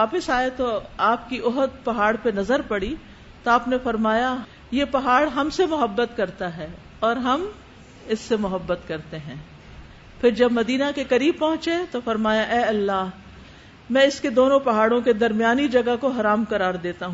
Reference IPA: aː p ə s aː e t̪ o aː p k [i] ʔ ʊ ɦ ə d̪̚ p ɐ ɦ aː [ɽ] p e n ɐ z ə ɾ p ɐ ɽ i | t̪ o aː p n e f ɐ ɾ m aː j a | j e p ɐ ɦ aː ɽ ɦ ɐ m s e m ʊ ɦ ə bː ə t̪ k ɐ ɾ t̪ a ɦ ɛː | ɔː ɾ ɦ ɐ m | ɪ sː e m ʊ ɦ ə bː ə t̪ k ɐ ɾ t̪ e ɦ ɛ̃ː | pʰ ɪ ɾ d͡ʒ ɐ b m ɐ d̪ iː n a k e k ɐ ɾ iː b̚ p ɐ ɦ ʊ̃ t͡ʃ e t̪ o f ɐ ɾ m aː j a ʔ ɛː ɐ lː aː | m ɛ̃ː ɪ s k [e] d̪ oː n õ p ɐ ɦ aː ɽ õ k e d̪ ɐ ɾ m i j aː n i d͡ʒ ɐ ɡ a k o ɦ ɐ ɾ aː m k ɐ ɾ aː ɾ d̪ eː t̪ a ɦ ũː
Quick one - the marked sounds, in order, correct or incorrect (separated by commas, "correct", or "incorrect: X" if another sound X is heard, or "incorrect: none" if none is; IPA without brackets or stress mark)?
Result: correct, correct, correct